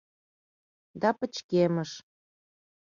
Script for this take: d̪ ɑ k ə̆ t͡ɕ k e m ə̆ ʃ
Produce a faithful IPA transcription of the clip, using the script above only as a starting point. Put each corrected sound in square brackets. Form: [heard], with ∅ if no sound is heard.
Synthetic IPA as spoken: d̪ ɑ [p] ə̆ t͡ɕ k e m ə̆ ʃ